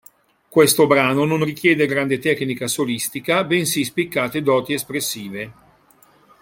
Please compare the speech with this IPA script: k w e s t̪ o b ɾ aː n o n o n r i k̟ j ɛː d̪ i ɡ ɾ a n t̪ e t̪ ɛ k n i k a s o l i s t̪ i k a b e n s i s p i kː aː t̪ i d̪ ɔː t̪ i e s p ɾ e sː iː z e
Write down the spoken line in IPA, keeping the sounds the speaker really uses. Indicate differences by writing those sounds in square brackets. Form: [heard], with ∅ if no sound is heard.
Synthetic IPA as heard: k w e s t̪ o b ɾ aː n o n o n r i k̟ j ɛː d̪ [e] ɡ ɾ a n [d̪] e t̪ ɛ k n i k a s o l i s t̪ i k a b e n s i s p i kː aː t̪ [e] d̪ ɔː t̪ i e s p ɾ e sː iː [v] e